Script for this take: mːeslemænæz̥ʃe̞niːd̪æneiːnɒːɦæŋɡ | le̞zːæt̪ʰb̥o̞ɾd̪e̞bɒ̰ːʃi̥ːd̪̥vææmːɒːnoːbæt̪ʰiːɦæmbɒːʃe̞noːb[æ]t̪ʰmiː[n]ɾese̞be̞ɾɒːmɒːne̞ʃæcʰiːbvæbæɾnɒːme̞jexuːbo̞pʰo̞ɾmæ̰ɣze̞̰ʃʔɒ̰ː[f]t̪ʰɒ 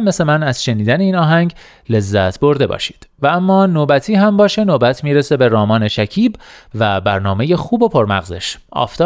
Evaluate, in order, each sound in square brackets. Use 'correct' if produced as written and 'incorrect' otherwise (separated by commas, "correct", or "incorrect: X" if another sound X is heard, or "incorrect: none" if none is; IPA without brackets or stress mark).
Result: correct, incorrect: none, correct